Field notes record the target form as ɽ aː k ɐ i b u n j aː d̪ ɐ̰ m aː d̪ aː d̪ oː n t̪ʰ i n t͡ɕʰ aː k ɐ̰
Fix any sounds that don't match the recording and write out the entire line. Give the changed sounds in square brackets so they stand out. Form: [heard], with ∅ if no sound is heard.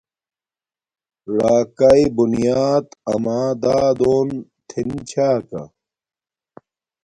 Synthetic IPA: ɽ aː k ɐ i b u n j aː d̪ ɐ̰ m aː d̪ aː d̪ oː n t̪ʰ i n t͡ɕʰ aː k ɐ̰